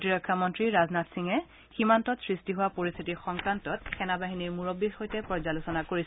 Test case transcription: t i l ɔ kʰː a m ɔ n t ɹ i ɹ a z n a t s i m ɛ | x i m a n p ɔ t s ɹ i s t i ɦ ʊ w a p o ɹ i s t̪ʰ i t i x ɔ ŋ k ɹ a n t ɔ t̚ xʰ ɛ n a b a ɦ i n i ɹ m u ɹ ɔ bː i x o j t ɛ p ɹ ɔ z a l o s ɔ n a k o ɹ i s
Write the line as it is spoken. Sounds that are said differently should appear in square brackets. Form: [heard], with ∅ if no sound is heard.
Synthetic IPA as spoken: t i [ɹ] ɔ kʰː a m ɔ n t ɹ i ɹ a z n a t s i [ŋ] ɛ | x i m a n [t] ɔ t s ɹ i s t i ɦ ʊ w a p o ɹ i s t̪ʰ i t i x ɔ ŋ k ɹ a n t ɔ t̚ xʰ ɛ n a b a ɦ i n i ɹ m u ɹ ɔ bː i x o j t ɛ p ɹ ɔ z a l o s ɔ n a k o ɹ i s